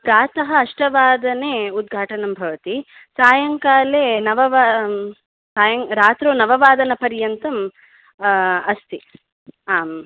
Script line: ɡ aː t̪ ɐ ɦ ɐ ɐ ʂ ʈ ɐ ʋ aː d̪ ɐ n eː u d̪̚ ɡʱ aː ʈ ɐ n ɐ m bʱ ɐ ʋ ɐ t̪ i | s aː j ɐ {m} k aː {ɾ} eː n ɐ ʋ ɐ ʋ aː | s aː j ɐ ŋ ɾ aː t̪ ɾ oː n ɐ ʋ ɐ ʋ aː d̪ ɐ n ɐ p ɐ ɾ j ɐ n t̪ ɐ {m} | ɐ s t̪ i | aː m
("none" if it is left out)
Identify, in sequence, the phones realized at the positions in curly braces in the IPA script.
ŋ, l, m

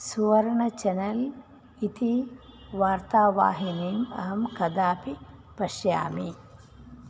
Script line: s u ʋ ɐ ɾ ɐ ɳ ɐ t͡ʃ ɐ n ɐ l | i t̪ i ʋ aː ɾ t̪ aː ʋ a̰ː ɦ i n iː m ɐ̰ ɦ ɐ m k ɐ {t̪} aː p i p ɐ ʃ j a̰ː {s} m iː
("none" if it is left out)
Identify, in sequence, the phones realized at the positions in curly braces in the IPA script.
d̪, none

